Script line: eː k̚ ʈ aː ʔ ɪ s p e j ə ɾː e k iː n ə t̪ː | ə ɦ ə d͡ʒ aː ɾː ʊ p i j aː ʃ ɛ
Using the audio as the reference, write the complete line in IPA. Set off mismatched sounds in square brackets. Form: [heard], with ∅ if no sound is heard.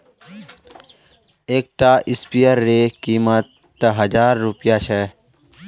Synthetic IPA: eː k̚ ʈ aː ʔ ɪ s p [i] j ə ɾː e k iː [m] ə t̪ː | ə ɦ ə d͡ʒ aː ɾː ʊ p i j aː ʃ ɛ